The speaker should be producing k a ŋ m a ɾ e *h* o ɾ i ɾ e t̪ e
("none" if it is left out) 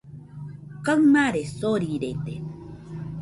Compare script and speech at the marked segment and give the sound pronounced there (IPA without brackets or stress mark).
s